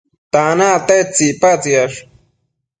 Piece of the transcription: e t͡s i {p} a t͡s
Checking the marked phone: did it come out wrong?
no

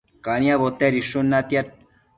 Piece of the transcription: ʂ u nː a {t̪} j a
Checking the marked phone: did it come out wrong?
no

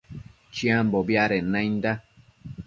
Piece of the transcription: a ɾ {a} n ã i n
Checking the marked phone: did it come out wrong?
yes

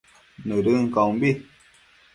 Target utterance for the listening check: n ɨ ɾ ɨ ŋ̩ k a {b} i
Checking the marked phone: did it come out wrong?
no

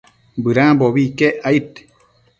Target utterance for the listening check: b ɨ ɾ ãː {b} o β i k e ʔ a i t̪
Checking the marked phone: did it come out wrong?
no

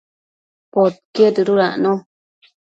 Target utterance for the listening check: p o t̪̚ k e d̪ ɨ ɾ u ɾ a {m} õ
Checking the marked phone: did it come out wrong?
yes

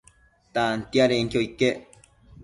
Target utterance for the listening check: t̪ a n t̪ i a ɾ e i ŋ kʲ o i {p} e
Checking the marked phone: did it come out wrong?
yes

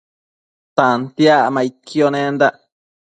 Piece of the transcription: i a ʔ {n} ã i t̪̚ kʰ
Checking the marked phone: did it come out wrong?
yes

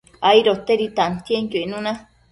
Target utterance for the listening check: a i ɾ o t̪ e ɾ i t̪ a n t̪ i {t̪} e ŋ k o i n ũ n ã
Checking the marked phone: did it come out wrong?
yes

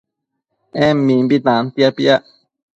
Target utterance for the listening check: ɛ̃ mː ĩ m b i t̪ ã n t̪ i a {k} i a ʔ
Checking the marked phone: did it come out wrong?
yes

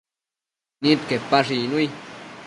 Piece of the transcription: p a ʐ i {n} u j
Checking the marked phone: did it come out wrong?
no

